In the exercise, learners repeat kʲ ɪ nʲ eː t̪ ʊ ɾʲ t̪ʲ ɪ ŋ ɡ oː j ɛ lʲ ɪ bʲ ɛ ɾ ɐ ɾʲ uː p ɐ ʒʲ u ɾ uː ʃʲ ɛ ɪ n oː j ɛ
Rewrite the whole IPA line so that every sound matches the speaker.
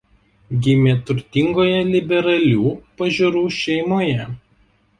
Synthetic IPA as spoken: ɡʲ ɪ mʲ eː t̪ ʊ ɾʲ t̪ʲ ɪ ŋ ɡ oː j ɛ lʲ ɪ bʲ ɛ ɾ ɐ lʲ uː p ɐ ʒʲ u ɾ uː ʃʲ ɛ ɪ m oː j ɛ